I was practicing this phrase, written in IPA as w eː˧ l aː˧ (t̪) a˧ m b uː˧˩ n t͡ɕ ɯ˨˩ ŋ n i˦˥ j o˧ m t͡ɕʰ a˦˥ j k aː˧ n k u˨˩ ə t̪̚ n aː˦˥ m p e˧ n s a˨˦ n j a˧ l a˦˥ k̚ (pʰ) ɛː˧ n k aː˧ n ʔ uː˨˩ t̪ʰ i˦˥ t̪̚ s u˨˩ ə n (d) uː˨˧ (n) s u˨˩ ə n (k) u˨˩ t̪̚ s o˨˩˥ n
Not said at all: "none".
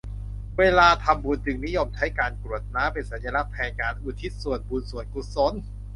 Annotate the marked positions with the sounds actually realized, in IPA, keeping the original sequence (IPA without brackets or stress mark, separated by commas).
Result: t̪ʰ, pʰ, b, n, k